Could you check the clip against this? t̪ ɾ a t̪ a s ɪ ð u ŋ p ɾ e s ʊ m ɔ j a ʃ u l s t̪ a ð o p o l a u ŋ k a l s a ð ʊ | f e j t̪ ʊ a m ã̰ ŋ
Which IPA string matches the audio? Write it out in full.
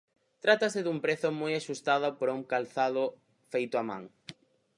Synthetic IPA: t̪ ɾ a t̪ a s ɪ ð u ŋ p ɾ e θ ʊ m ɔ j a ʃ u s t̪ a ð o p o ɾ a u ŋ k a l θ a ð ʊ | f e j t̪ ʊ a m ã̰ ŋ